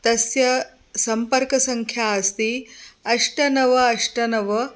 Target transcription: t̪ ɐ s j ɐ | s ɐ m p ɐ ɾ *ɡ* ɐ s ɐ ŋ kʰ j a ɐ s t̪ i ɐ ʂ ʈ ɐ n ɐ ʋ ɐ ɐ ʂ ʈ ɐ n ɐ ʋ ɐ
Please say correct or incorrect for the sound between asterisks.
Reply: incorrect